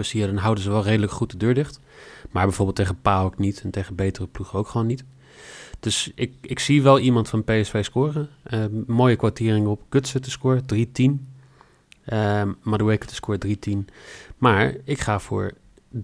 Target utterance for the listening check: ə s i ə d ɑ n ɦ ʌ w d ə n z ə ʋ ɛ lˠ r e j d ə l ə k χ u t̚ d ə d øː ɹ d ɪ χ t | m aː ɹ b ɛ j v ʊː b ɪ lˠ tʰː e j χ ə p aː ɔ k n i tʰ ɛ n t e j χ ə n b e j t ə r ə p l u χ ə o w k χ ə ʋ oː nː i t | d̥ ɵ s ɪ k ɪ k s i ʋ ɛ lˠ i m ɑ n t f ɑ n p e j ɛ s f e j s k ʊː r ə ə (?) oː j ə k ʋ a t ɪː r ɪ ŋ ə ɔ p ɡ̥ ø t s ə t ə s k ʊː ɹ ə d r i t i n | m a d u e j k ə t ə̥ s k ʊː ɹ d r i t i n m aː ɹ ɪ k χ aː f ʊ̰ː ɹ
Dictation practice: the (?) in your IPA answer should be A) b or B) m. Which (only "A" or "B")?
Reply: B